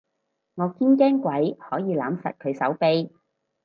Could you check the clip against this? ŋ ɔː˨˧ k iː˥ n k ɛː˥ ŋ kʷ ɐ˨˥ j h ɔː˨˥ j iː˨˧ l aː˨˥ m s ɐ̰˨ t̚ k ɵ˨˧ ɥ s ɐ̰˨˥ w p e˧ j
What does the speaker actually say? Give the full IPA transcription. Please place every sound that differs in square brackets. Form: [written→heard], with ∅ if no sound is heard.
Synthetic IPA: ŋ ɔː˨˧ k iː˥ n k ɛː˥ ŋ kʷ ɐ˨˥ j h ɔː˨˥ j iː˨˧ l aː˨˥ m s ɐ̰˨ t̚ [k→kʰ] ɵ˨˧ ɥ s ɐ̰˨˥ w p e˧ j